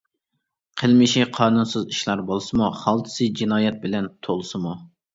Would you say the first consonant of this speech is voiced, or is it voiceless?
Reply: voiceless